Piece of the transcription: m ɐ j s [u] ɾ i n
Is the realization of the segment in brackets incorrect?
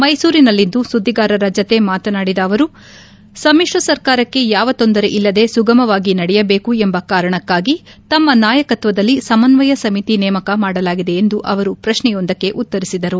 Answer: yes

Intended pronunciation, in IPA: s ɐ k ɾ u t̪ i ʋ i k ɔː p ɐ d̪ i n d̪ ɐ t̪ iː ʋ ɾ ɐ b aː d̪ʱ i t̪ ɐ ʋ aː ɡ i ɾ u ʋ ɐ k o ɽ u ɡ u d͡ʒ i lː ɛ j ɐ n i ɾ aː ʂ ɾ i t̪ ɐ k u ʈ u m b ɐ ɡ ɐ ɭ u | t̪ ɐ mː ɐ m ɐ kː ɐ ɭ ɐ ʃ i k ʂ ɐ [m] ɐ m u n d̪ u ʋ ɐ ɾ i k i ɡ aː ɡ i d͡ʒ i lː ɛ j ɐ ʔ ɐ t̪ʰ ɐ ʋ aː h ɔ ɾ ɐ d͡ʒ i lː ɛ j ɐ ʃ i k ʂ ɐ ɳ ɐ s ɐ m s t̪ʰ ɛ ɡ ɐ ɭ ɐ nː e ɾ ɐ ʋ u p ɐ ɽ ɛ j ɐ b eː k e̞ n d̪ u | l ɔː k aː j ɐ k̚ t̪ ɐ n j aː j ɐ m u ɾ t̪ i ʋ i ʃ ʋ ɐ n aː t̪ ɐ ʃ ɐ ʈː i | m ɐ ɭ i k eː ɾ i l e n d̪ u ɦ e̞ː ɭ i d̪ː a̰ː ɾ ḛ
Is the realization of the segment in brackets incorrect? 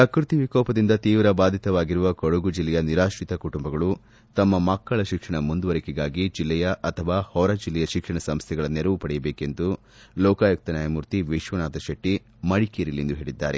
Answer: yes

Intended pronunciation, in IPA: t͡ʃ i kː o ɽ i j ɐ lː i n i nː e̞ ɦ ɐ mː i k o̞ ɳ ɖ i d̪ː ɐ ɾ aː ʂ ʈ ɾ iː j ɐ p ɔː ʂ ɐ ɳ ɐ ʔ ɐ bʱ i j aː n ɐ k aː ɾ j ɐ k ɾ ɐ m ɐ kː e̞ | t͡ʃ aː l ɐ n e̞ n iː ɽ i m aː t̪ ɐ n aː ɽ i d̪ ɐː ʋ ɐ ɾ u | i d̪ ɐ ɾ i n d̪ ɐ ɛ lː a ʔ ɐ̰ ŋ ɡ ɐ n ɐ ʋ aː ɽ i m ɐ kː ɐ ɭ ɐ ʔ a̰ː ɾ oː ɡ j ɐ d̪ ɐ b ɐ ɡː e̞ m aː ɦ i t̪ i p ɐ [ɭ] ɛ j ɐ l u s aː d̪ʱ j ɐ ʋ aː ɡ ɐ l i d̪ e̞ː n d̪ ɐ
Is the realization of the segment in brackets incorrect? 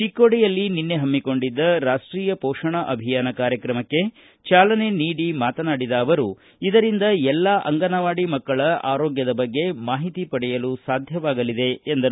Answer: yes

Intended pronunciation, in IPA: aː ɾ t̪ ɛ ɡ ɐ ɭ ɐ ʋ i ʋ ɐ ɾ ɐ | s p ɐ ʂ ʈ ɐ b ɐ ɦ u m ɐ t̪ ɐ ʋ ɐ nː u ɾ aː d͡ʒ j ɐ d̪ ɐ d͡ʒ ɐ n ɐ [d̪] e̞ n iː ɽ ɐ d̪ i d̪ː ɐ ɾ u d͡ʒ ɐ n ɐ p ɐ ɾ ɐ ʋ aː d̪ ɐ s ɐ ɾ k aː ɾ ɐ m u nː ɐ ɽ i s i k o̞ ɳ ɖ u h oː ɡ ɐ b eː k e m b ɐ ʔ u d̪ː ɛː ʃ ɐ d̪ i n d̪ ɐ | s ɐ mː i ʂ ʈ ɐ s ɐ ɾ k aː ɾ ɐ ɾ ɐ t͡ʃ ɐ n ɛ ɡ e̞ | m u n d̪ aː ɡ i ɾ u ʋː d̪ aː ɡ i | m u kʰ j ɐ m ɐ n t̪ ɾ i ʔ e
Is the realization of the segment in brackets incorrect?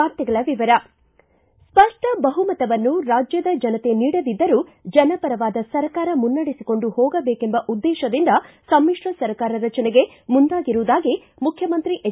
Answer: yes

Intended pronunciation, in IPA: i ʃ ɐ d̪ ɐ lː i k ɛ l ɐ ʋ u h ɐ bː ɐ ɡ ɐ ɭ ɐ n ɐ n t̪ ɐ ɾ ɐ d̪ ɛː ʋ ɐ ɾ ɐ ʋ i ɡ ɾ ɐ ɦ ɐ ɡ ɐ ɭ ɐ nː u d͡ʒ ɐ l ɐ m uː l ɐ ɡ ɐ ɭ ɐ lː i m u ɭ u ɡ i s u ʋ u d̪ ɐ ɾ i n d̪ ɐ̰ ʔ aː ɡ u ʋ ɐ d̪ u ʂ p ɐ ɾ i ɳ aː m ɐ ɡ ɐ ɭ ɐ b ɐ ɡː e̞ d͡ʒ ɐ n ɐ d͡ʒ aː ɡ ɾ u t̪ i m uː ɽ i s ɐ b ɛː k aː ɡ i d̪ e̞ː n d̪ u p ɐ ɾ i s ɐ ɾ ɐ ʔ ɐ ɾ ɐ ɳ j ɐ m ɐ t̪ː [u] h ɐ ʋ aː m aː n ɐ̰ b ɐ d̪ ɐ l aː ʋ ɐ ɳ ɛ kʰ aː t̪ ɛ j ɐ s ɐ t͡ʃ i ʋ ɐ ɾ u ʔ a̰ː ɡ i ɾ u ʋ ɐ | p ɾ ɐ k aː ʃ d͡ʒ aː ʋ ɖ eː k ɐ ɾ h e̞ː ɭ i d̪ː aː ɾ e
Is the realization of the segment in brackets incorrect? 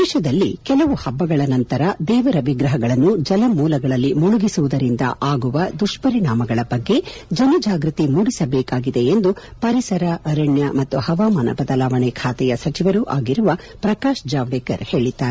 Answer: no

